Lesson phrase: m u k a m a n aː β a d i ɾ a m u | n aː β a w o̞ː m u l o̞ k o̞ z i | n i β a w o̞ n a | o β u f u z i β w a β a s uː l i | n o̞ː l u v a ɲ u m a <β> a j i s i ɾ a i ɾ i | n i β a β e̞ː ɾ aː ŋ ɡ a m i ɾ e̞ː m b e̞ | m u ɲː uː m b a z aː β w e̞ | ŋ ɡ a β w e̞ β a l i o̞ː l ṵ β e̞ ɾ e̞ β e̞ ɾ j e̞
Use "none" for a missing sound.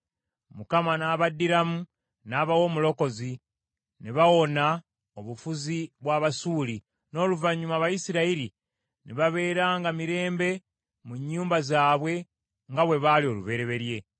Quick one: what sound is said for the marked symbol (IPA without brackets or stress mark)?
β